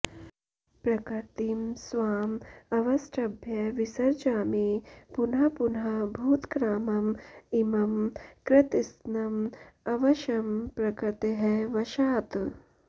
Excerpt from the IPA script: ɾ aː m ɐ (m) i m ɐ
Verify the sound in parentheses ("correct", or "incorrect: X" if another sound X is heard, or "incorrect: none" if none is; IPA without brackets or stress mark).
correct